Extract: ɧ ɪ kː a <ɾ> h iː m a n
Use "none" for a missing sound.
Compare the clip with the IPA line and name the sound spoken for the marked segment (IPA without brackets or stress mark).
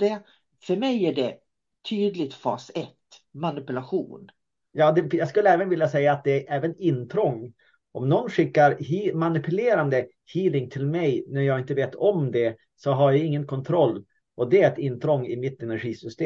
ɾ